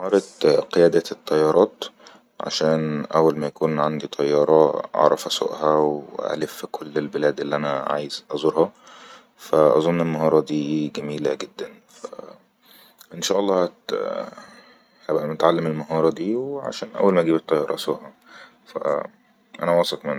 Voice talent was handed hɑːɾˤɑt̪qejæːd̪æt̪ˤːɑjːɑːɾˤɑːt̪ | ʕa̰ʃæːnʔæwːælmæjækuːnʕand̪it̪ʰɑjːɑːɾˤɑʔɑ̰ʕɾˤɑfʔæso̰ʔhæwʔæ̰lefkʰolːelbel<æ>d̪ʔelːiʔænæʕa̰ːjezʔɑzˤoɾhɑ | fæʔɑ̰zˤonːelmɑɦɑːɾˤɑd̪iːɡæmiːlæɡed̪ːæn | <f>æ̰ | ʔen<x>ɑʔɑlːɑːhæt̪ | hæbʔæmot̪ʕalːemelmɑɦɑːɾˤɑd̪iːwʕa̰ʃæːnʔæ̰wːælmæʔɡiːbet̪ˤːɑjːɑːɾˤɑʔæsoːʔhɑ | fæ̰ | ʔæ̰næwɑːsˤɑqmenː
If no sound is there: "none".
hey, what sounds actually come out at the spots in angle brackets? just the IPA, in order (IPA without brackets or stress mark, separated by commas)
æː, f, ʃ